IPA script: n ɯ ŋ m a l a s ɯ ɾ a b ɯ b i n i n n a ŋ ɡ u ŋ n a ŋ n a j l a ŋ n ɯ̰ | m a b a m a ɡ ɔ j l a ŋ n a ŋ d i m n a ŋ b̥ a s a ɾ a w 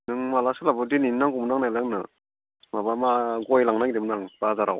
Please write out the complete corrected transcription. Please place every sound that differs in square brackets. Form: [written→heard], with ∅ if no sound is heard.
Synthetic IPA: n ɯ ŋ m a l a s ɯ [ɾ→l] a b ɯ [b→d] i n i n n a ŋ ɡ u [ŋ→m] n a ŋ n a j l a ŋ n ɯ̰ | m a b a m a ɡ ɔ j l a ŋ n a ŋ d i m n a ŋ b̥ a [s→z] a ɾ a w